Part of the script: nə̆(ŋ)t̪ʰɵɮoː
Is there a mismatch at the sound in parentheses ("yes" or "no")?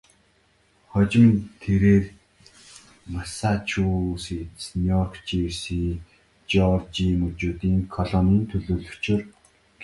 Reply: yes